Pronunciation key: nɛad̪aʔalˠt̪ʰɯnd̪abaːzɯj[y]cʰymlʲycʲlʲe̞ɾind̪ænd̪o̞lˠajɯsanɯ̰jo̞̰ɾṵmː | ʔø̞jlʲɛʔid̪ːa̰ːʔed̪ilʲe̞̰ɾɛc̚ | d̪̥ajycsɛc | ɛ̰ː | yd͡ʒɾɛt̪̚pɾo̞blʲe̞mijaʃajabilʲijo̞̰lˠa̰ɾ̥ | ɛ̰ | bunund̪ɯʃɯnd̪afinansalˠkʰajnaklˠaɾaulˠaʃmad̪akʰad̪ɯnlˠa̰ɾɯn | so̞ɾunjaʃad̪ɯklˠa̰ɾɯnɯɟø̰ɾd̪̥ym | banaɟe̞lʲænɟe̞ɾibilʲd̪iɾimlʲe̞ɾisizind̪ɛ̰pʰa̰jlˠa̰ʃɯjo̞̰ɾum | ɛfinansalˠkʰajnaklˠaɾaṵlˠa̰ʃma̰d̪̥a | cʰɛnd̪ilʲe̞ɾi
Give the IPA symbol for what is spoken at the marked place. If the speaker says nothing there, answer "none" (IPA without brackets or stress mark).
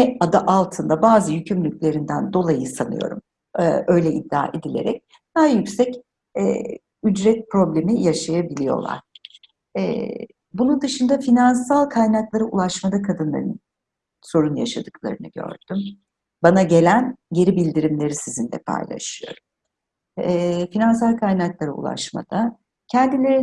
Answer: y